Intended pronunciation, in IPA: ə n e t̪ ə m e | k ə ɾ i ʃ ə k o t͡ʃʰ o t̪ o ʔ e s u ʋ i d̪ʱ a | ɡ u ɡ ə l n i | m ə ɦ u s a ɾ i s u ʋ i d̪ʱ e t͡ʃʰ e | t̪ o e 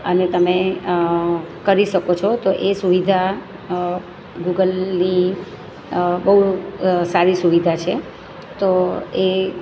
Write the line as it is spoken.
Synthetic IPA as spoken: ə n e t̪ ə m e | k ə ɾ i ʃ ə k o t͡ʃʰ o t̪ o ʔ e s u ʋ i d̪ʱ a | ɡ u ɡ ə l n i | b ə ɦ u s a ɾ i s u ʋ i d̪ʱ a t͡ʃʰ e | t̪ o e